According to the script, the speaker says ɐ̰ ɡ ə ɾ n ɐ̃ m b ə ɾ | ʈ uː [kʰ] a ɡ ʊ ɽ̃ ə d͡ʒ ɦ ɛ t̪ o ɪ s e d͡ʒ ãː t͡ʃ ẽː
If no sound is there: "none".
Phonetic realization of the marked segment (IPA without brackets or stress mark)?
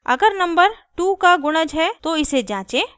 k